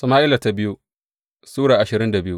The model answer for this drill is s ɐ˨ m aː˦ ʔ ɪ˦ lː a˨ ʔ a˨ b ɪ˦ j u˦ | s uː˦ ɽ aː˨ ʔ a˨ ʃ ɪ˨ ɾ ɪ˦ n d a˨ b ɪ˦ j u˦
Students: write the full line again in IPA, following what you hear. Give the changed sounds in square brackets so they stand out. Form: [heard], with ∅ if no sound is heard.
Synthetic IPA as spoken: s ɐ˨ m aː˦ ʔ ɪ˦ [l] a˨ [t] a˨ b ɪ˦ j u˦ | s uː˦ ɽ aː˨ ʔ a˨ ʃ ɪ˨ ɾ ɪ˦ n d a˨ b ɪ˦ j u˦